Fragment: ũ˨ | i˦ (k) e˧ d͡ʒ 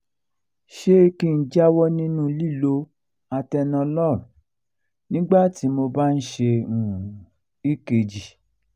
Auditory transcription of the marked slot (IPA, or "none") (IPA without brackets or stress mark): k